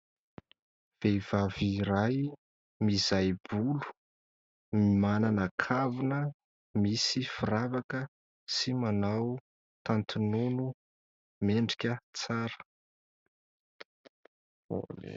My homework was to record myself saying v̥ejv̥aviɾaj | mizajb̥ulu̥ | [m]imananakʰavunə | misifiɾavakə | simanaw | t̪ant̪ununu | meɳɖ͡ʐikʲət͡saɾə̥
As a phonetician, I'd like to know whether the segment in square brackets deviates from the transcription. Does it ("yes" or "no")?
no